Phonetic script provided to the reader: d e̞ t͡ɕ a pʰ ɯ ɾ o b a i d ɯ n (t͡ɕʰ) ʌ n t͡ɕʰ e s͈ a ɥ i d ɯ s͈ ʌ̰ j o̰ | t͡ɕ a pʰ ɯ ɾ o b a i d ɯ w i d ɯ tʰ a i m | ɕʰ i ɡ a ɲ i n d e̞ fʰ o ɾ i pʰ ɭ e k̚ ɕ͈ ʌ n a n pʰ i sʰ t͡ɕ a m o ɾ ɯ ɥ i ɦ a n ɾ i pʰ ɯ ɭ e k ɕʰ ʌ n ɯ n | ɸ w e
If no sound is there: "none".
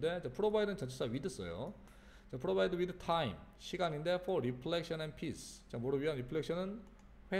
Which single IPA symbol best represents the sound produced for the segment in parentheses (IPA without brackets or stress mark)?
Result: t͡ɕ